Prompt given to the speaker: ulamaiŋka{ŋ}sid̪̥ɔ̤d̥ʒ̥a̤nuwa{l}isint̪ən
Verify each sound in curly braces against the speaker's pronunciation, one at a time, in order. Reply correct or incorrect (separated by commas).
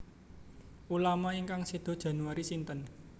correct, incorrect